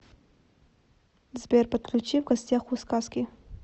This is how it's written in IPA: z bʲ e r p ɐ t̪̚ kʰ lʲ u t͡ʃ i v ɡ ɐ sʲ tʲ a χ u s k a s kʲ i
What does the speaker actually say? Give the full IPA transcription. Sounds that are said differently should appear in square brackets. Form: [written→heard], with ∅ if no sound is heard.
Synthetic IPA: z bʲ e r p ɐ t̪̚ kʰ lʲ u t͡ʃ i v ɡ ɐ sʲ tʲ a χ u s k a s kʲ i